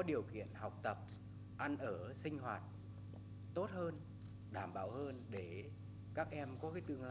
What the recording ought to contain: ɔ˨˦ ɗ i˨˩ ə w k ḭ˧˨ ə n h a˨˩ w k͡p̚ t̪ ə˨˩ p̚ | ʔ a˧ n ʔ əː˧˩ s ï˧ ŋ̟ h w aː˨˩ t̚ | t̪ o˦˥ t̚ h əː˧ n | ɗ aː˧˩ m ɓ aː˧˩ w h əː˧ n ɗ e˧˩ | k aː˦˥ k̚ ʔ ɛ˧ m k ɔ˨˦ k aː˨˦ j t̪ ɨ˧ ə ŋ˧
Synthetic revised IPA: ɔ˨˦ ɗ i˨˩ ə w k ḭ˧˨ ə n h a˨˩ w k͡p̚ t̪ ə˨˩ p̚ | ʔ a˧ n ʔ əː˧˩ s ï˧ ŋ̟ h w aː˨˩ t̚ | t̪ o˦˥ t̚ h əː˧ n | ɗ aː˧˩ m ɓ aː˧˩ w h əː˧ n ɗ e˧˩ | k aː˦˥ k̚ ʔ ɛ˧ m k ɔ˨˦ k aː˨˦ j t̪ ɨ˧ ə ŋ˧